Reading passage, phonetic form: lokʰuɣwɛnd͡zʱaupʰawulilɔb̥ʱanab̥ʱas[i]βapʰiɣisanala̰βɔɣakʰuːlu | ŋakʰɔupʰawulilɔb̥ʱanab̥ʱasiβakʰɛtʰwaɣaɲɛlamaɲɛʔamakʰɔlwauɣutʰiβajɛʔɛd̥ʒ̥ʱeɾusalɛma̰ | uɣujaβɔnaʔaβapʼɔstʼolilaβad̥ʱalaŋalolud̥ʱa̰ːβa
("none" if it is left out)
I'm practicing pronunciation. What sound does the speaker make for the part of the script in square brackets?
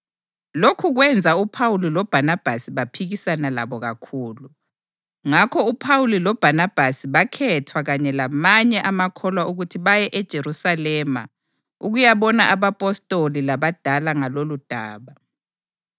i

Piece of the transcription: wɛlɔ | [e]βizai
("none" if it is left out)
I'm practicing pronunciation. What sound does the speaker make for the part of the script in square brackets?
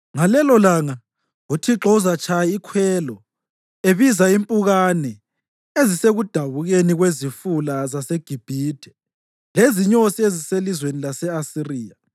e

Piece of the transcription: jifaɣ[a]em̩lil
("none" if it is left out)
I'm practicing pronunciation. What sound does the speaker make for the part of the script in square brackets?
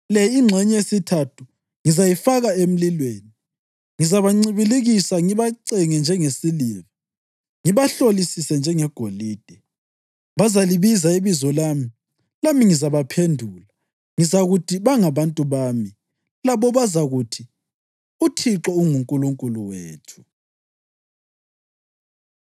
a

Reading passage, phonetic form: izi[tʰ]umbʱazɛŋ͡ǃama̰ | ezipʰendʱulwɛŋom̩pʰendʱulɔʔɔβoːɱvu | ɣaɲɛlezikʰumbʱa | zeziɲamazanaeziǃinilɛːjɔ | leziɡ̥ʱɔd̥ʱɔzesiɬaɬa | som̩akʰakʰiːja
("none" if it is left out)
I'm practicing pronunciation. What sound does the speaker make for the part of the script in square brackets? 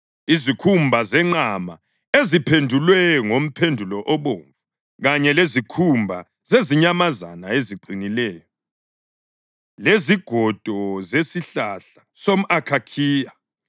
kʰ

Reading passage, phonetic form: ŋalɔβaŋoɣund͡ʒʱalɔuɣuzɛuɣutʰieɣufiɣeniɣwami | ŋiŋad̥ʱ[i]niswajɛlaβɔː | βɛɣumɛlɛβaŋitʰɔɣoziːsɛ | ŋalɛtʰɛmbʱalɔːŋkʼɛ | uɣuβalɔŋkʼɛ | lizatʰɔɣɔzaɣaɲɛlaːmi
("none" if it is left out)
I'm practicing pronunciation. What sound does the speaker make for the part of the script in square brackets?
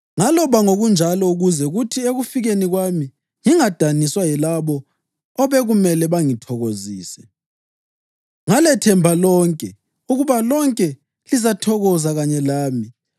a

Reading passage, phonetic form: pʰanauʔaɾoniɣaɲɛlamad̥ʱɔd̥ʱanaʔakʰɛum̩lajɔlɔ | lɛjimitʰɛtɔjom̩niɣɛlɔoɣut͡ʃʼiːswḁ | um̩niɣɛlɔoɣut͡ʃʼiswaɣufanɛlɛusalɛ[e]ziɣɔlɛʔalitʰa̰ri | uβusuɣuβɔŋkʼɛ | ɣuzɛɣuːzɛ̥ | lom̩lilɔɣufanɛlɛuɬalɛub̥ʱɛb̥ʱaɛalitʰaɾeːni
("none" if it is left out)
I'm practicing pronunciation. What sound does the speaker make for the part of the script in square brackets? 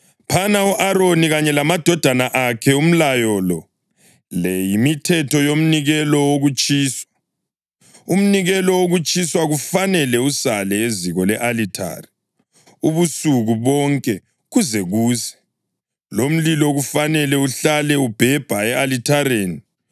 e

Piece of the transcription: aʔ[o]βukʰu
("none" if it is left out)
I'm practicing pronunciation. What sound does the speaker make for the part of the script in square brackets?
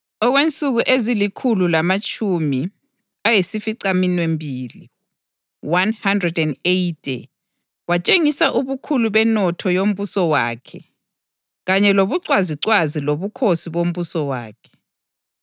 u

